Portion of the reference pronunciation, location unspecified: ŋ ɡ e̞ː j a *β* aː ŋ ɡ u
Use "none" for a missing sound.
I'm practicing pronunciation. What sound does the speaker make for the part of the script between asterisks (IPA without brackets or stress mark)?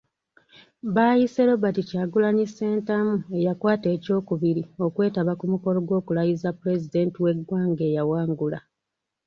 w